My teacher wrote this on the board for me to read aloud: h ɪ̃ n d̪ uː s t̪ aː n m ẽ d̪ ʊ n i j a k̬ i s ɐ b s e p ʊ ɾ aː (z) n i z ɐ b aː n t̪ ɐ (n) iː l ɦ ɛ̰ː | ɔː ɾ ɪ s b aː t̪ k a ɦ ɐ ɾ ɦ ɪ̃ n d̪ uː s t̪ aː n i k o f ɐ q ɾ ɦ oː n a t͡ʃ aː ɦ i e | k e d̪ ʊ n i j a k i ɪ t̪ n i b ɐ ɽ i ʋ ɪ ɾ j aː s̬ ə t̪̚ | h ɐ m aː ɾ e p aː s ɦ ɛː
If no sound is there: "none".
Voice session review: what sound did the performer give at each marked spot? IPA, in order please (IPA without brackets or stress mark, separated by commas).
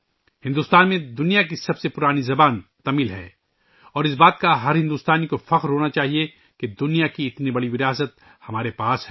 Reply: none, m